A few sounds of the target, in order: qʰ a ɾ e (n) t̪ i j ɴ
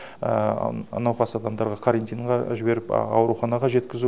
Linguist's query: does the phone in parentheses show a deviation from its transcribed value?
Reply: no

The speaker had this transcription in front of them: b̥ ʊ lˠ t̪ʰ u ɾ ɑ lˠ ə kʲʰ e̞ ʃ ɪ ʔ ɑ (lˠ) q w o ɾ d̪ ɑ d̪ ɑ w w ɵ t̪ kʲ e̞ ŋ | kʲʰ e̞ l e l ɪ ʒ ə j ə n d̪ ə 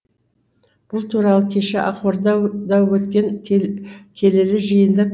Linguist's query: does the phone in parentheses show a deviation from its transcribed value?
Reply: yes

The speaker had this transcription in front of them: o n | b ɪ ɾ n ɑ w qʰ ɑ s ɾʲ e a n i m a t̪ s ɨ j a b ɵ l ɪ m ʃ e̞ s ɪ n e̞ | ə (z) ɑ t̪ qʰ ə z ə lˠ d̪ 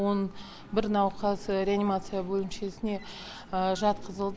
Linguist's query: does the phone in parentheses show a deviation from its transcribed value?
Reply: yes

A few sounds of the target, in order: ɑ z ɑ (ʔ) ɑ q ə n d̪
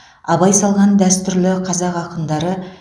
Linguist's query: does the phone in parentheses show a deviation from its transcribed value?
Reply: yes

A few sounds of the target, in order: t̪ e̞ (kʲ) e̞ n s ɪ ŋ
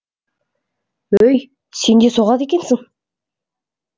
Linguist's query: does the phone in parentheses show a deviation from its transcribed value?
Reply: no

